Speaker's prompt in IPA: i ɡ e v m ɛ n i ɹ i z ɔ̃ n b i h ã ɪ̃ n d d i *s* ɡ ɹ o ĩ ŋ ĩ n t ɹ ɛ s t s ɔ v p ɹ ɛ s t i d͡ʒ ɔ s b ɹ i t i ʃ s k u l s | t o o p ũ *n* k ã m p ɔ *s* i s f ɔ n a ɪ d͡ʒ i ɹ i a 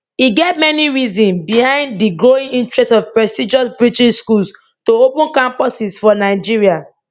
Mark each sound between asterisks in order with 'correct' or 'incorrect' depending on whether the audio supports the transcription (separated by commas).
incorrect, correct, correct